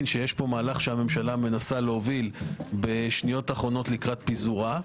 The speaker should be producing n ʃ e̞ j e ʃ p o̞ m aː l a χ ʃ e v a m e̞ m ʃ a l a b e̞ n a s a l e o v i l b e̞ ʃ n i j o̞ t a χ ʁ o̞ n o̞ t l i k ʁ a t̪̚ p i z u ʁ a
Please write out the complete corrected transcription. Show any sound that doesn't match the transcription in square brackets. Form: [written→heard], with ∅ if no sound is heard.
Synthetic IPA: n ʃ e̞ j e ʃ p o̞ m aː l a χ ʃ e [v→∅] a m e̞ m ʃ a l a [b→m] e̞ n a s a l e o v i l b e̞ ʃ n i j o̞ t a χ ʁ o̞ n o̞ t l i k ʁ a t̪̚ p i z u ʁ a